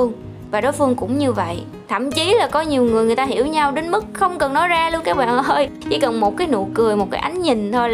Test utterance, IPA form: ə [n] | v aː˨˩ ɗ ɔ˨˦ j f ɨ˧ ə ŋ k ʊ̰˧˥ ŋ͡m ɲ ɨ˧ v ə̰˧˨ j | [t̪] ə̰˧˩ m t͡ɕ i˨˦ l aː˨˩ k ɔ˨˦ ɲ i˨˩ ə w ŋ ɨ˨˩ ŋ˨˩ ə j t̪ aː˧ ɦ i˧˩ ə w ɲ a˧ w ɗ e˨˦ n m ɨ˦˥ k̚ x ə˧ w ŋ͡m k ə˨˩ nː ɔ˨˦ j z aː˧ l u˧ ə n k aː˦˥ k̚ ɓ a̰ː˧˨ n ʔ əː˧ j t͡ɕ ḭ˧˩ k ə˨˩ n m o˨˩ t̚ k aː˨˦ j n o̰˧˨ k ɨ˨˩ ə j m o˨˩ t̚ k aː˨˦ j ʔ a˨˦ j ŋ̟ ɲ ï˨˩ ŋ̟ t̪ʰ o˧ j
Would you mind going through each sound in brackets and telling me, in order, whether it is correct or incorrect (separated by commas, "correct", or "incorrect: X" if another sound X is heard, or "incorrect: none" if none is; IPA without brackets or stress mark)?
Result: incorrect: ŋ, incorrect: t̪ʰ